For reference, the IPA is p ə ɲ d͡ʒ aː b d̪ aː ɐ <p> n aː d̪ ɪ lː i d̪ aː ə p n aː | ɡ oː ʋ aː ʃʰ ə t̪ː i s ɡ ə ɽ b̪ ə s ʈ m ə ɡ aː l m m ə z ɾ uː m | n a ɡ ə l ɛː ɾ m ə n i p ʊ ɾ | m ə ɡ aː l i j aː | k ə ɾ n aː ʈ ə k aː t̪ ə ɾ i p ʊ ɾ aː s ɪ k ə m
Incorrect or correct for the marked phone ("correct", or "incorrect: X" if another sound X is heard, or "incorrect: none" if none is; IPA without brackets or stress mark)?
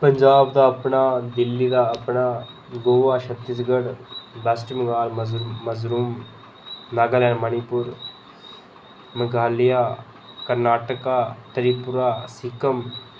correct